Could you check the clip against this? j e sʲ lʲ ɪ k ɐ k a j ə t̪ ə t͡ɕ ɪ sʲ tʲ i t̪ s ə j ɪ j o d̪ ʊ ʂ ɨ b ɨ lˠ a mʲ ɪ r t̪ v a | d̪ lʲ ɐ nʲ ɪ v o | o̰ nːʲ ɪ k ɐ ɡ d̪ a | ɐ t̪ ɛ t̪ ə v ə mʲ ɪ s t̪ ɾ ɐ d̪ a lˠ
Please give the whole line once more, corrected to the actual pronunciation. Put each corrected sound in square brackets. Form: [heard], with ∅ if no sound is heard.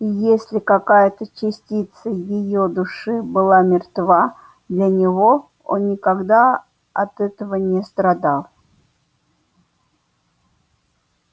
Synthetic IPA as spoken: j e sʲ lʲ ɪ k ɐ k a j ə t̪ ə t͡ɕ ɪ sʲ tʲ i t̪ s ə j ɪ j o d̪ ʊ ʂ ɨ b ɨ lˠ a mʲ ɪ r t̪ v a | d̪ lʲ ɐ nʲ ɪ v o | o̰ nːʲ ɪ k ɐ ɡ d̪ a | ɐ t̪ ɛ t̪ ə v ə [nʲ] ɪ s t̪ ɾ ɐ d̪ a lˠ